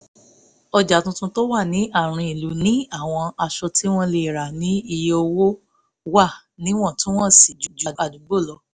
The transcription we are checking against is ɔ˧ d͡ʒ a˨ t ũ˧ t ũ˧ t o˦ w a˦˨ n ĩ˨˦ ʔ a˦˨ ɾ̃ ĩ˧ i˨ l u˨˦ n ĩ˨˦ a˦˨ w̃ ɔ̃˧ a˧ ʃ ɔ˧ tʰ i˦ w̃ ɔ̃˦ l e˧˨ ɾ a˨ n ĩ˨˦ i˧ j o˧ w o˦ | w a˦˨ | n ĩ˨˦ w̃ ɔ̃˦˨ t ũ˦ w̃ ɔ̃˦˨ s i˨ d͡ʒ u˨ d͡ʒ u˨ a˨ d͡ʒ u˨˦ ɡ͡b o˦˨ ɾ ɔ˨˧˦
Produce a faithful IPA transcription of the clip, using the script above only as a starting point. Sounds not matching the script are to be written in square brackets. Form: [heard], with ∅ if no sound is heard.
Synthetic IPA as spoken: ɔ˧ d͡ʒ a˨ t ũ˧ t ũ˧ t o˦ w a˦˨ n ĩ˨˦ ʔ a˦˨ ɾ̃ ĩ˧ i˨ l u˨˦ n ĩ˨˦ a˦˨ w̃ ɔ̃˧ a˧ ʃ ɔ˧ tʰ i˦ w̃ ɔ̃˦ l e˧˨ ɾ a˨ n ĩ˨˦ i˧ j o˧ w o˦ | w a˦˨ | n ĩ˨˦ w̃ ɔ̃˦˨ t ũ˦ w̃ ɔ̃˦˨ s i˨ d͡ʒ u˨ d͡ʒ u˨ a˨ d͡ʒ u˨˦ ɡ͡b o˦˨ [l] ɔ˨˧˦